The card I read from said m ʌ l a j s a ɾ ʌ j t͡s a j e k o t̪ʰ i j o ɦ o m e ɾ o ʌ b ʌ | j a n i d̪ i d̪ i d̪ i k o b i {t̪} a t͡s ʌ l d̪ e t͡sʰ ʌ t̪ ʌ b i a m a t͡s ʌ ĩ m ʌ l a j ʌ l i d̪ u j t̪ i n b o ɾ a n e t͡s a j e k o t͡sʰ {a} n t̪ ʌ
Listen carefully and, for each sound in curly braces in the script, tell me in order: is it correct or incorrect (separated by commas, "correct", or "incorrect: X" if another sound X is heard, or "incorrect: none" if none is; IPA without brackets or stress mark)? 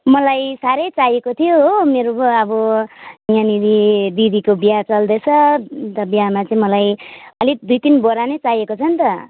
incorrect: none, incorrect: ʌ